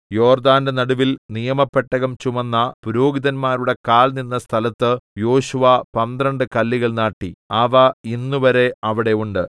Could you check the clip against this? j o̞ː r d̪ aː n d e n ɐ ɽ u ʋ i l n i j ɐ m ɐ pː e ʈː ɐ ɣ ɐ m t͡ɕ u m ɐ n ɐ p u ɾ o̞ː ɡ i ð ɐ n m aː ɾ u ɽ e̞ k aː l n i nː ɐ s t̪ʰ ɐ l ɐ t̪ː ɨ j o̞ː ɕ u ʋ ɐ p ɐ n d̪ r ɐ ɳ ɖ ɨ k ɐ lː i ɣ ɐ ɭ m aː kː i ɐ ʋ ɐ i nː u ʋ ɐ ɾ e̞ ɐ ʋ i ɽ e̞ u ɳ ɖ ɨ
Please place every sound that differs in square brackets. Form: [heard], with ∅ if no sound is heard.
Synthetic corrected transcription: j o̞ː r d̪ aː n d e n ɐ ɽ u ʋ i l n i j ɐ m ɐ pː e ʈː ɐ ɣ ɐ m t͡ɕ u m ɐ [nː] ɐ p u ɾ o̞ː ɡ i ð ɐ n m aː ɾ u ɽ e̞ k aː l n i nː ɐ s t̪ʰ ɐ l ɐ t̪ː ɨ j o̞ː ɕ u ʋ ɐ p ɐ n d̪ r ɐ ɳ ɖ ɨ k ɐ lː i ɣ ɐ ɭ [n] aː [ʈː] i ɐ ʋ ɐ i nː u ʋ ɐ ɾ e̞ ɐ ʋ i ɽ e̞ u ɳ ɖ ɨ

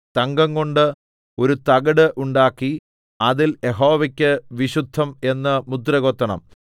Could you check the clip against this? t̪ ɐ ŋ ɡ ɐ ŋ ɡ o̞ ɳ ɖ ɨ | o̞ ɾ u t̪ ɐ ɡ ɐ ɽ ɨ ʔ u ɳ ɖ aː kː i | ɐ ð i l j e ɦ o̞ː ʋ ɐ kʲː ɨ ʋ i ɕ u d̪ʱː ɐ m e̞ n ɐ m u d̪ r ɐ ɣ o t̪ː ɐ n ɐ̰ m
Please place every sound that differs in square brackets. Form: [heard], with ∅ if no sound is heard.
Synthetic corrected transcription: t̪ ɐ ŋ ɡ ɐ ŋ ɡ o̞ ɳ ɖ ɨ | o̞ ɾ u t̪ ɐ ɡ ɐ ɽ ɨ ʔ u ɳ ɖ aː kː i | ɐ ð i l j e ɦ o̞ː ʋ ɐ kʲː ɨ ʋ i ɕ u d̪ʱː ɐ m e̞ [nː] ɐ m u d̪ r ɐ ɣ o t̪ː ɐ [ɳ] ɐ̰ m

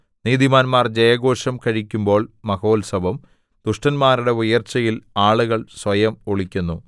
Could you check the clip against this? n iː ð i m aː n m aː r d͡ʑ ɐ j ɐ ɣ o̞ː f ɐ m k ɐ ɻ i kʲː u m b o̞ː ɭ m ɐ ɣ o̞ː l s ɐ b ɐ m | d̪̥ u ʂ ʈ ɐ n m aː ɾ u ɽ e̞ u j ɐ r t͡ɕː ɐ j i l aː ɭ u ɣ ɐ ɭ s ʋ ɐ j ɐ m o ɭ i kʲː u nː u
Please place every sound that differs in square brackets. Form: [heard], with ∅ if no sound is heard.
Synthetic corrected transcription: n iː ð i m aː n m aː r d͡ʑ ɐ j ɐ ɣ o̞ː [ʂ] ɐ m k ɐ ɻ i kʲː u m b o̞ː ɭ m ɐ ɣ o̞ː l s ɐ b ɐ m | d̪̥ u ʂ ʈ ɐ n m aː ɾ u ɽ e̞ u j ɐ r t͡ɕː ɐ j i l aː ɭ u ɣ ɐ ɭ s ʋ ɐ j ɐ m o ɭ i kʲː u nː u

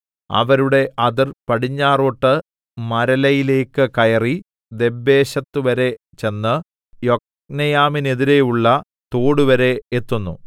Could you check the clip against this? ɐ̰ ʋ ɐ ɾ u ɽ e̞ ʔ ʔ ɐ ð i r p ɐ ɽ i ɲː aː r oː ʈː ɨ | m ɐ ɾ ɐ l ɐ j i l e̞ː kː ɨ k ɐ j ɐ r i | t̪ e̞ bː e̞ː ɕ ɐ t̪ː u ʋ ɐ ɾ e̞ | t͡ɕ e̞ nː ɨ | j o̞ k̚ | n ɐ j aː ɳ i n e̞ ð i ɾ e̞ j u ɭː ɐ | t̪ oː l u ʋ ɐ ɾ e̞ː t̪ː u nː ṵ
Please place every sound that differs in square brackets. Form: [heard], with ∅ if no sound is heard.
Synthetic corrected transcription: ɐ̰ ʋ ɐ ɾ u ɽ e̞ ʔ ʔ ɐ ð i r p ɐ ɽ i ɲː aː r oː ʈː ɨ | m ɐ ɾ ɐ l ɐ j i l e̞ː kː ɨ k ɐ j ɐ r i | [d̪] e̞ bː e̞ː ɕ ɐ t̪ː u ʋ ɐ ɾ e̞ | t͡ɕ e̞ nː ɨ | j o̞ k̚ | n ɐ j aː [m] i n e̞ ð i ɾ e̞ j u ɭː ɐ | t̪ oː [ɽ] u ʋ ɐ ɾ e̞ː t̪ː u nː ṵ

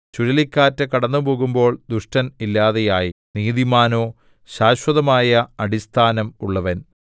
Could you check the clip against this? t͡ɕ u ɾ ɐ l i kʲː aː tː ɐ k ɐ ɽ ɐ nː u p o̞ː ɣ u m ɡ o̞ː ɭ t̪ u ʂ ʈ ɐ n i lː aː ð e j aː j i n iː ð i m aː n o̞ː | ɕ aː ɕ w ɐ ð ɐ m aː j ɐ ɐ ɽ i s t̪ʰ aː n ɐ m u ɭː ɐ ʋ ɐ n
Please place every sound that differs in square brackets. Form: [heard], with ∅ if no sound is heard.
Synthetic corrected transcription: t͡ɕ u ɾ ɐ l i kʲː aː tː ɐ k ɐ ɽ ɐ nː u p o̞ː ɣ u m [b] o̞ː ɭ [d̪] u ʂ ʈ ɐ n i lː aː ð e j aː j i n iː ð i m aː n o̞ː | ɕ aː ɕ w ɐ ð ɐ m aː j ɐ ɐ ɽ i s t̪ʰ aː n ɐ m u ɭː ɐ ʋ ɐ n

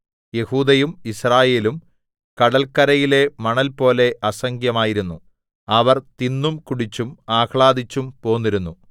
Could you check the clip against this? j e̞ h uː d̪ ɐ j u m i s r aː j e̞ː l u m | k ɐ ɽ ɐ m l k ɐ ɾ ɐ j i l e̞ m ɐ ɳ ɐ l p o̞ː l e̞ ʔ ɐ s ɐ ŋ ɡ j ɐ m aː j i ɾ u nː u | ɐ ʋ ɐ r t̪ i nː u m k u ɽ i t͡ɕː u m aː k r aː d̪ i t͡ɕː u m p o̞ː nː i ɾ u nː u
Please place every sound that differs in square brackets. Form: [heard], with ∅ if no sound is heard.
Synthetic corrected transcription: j e̞ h uː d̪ ɐ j u m i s r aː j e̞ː l u m | k ɐ ɽ ɐ [∅] l k ɐ ɾ ɐ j i l e̞ m ɐ ɳ ɐ l p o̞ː l e̞ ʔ ɐ s ɐ ŋ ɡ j ɐ m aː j i ɾ u nː u | ɐ ʋ ɐ r t̪ i nː u m k u ɽ i t͡ɕː u m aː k [ɭ] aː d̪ i t͡ɕː u m p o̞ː nː i ɾ u nː u

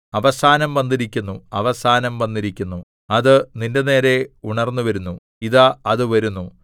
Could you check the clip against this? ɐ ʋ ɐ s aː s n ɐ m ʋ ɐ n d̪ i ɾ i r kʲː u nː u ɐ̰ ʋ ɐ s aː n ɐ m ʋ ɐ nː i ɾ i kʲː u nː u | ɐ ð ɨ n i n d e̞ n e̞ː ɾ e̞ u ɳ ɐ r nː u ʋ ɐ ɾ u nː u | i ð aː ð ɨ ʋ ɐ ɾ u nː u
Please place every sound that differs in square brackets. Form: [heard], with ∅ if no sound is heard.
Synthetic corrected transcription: ɐ ʋ ɐ s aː [∅] n ɐ m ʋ ɐ n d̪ i ɾ i [∅] kʲː u nː u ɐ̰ ʋ ɐ s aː n ɐ m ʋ ɐ nː i ɾ i kʲː u nː u | ɐ ð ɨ n i n d e̞ n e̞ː ɾ e̞ u ɳ ɐ r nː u ʋ ɐ ɾ u nː u | i ð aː ð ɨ ʋ ɐ ɾ u nː u

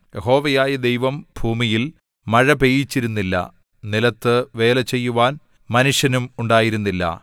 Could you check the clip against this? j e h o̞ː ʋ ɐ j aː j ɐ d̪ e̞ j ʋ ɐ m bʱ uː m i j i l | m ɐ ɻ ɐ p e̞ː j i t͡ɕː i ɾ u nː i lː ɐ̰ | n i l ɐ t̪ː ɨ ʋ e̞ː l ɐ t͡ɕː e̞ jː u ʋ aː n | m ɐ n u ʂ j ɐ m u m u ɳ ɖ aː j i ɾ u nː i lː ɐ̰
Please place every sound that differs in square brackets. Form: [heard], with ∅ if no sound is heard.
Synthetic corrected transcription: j e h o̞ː ʋ ɐ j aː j ɐ d̪ e̞ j ʋ ɐ m bʱ uː m i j i l | m ɐ ɻ ɐ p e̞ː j i t͡ɕː i ɾ u nː i lː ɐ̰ | n i l ɐ t̪ː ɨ ʋ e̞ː l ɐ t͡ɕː e̞ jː u ʋ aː n | m ɐ n u ʂ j ɐ [n] u m u ɳ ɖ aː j i ɾ u nː i lː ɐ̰

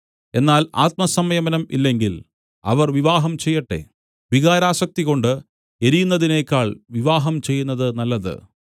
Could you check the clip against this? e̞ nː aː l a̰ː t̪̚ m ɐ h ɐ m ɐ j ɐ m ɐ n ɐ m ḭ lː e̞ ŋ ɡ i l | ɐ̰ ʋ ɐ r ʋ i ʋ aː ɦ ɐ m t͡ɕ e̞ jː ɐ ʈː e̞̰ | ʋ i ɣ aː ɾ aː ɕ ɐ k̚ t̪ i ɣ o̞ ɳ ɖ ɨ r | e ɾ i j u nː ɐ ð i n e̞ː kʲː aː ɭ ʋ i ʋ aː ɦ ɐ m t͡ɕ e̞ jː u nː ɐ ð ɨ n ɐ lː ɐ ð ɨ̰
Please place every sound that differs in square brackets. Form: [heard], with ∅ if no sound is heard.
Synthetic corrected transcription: e̞ nː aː l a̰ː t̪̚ m ɐ [s] ɐ m ɐ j ɐ m ɐ n ɐ m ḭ lː e̞ ŋ ɡ i l | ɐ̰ ʋ ɐ r ʋ i ʋ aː ɦ ɐ m t͡ɕ e̞ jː ɐ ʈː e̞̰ | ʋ i ɣ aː ɾ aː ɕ ɐ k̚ t̪ i ɣ o̞ ɳ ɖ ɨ [∅] | e ɾ i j u nː ɐ ð i n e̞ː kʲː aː ɭ ʋ i ʋ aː ɦ ɐ m t͡ɕ e̞ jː u nː ɐ ð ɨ n ɐ lː ɐ ð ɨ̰

